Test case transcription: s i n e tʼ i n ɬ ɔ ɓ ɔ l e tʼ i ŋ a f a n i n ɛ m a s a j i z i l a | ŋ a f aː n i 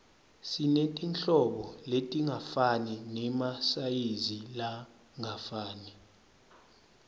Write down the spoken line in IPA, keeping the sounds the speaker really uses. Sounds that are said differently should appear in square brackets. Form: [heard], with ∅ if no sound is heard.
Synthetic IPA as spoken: s i n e tʼ i n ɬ ɔ ɓ ɔ l e tʼ i ŋ a f a n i n ɛ m a s a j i z i l a | ŋ a f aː n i